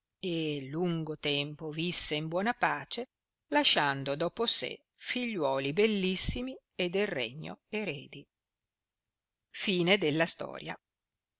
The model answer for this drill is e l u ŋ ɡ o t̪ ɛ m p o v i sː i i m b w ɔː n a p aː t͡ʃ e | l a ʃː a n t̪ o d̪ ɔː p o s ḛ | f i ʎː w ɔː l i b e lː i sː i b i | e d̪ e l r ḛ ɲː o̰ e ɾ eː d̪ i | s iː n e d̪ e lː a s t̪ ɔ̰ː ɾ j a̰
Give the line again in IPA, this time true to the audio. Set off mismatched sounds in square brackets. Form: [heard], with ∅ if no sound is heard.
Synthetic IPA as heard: e l u ŋ ɡ o t̪ ɛ m p o v i sː [e] i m b w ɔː n a p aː t͡ʃ e | l a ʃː a n [d̪] o d̪ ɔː p o s ḛ | f i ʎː w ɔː l i b e lː i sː i [m] i | e d̪ e l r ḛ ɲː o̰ e ɾ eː d̪ i | [f] iː n e d̪ e lː a s t̪ ɔ̰ː ɾ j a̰